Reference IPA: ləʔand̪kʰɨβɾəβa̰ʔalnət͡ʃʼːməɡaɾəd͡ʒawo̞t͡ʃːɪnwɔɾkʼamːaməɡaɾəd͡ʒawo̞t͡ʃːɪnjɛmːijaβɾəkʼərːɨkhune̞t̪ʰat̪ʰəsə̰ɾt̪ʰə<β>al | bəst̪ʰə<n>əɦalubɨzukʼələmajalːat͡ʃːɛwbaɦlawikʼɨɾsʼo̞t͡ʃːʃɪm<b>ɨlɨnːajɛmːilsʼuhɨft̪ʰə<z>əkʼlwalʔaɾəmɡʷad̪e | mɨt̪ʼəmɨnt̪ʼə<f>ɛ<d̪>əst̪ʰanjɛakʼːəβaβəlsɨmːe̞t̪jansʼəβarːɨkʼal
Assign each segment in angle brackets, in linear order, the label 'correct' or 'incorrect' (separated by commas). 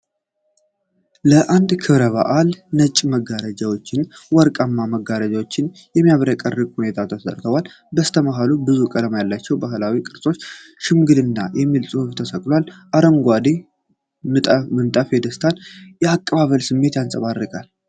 incorrect, incorrect, incorrect, incorrect, correct, correct